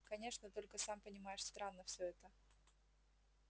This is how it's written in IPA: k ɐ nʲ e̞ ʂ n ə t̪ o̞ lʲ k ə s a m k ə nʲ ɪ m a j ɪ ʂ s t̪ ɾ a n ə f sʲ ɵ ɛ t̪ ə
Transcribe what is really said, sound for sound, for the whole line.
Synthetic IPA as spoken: k ɐ nʲ e̞ ʂ n ə t̪ o̞ lʲ k ə s a m p ə nʲ ɪ m a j ɪ ʂ s t̪ ɾ a nː ə f sʲ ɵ ɛ t̪ ə